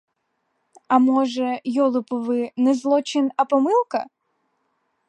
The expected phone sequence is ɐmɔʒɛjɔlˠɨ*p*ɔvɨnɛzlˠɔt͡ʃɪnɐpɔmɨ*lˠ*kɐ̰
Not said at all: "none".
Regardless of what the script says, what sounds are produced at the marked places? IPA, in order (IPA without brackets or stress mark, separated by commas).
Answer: p, lˠ